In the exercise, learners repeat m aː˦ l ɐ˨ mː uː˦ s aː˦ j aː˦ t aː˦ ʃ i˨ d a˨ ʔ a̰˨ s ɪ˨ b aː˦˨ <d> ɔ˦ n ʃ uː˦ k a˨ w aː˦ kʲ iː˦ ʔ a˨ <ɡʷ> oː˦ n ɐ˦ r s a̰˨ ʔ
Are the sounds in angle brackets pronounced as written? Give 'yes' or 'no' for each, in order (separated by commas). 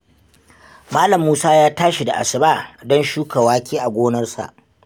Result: yes, yes